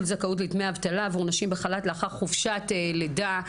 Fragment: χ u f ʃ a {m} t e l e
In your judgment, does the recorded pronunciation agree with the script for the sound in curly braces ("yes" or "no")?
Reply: no